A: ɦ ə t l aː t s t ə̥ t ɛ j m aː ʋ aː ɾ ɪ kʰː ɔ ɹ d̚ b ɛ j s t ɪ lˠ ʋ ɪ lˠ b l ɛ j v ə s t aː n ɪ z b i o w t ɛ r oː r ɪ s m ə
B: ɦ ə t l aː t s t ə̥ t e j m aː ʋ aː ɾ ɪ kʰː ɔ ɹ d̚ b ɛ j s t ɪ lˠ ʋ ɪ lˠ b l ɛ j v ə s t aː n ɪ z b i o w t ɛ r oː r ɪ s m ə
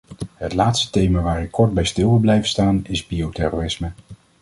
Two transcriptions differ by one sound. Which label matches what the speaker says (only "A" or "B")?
B